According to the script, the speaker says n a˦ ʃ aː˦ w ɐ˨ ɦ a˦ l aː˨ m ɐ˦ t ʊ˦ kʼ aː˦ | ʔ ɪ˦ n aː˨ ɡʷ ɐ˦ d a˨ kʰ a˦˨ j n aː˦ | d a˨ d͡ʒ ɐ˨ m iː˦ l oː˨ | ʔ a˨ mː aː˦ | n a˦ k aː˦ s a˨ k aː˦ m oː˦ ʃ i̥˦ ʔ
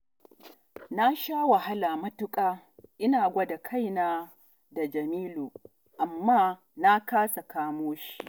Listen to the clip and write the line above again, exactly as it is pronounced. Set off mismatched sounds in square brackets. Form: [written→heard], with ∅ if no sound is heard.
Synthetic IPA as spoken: n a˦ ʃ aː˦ w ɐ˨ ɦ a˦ l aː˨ m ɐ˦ t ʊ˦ kʼ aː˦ | ʔ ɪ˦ n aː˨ ɡʷ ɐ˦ d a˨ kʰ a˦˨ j n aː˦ | d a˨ d͡ʒ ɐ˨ m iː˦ l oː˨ | ʔ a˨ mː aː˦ | n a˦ k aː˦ s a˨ k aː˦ m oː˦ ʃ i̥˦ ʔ